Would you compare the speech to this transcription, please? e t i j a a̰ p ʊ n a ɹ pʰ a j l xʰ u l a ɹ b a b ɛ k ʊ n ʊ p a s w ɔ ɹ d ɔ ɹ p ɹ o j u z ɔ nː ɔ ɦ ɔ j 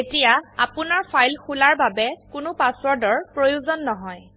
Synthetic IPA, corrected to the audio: e t i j a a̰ p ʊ n a ɹ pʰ a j l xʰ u l a ɹ b a b ɛ k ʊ n ʊ p a s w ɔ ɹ d ɔ ɹ p ɹ o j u z ɔ nː ɔ ɦ ɔ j

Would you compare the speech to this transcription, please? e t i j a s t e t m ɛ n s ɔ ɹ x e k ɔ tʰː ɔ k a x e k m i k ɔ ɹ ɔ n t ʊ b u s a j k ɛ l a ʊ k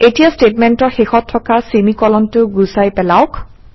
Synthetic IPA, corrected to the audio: e t i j a s t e t m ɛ n t ɔ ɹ x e x ɔ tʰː ɔ k a s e m i k ɔ l ɔ n t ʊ ɡ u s a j p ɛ l a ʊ k

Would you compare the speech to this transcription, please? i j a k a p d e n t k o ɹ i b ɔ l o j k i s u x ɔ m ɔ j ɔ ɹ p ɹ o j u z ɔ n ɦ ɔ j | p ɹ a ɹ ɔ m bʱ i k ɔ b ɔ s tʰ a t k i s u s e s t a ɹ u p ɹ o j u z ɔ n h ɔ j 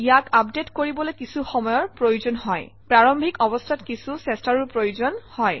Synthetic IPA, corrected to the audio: i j a k a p d e t k o ɹ i b ɔ l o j k i s u x ɔ m ɔ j ɔ ɹ p ɹ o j u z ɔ n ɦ ɔ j | p ɹ a ɹ ɔ m bʱ i k ɔ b ɔ s tʰ a t k i s u s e s t a ɹ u p ɹ o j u z ɔ n h ɔ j

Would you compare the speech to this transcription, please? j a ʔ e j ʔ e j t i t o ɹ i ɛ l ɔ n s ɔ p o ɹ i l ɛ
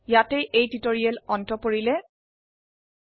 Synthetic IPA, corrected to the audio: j a t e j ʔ e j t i t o ɹ i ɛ l ɔ n t ɔ p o ɹ i l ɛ

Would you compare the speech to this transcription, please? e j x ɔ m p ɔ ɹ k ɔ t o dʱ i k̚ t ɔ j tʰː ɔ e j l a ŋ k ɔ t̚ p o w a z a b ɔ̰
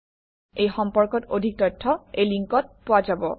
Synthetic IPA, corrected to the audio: e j x ɔ m p ɔ ɹ k ɔ t o dʱ i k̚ t ɔ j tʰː ɔ e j l i ŋ k ɔ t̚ p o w a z a b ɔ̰

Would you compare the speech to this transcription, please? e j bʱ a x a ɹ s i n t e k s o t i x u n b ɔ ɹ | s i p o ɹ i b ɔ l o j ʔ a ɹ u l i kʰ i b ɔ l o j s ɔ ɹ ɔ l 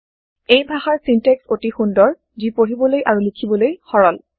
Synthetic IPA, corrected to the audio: e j bʱ a x a ɹ s i n t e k s o t i x u n d ɔ ɹ | z i p o ɹ i b ɔ l o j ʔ a ɹ u l i kʰ i b ɔ l o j x ɔ ɹ ɔ l

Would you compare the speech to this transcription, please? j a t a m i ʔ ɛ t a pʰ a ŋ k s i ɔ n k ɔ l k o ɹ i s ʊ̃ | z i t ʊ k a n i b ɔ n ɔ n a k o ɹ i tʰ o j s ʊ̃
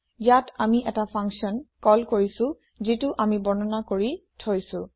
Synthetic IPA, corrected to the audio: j a t a m i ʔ ɛ t a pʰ a ŋ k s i ɔ n k ɔ l k o ɹ i s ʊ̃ | z i t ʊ ʔ a m i b ɔ n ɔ n a k o ɹ i tʰ o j s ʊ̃

